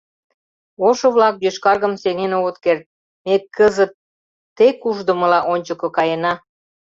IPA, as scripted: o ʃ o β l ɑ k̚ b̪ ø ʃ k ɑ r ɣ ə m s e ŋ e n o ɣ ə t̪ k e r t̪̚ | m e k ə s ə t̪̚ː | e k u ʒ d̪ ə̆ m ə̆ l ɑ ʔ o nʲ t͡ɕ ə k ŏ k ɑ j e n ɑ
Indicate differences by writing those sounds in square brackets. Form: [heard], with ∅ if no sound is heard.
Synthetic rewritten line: o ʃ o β l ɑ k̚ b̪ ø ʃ k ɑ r ɣ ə m s e ŋ e n o ɣ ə t̪ k e r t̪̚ | m e k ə [z] ə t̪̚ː | e k u ʒ d̪ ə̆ m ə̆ l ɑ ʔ o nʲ t͡ɕ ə k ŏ k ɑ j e n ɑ